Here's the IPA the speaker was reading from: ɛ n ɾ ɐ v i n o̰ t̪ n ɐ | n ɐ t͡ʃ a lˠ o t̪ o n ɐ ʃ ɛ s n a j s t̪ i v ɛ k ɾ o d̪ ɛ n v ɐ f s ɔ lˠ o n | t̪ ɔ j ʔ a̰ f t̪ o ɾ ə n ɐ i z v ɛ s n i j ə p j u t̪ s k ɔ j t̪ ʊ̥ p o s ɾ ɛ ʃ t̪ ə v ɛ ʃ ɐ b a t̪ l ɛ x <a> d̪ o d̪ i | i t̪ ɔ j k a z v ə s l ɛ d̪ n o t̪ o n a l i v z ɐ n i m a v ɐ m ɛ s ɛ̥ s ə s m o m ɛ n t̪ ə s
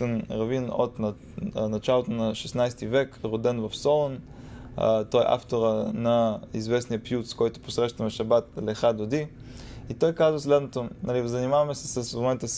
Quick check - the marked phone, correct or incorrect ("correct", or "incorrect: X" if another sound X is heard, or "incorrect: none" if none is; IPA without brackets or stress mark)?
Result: correct